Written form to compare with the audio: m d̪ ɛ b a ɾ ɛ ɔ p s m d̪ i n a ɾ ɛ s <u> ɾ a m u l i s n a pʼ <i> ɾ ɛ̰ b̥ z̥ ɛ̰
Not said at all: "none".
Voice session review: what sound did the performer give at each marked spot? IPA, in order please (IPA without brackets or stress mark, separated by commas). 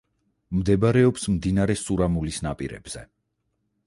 u, i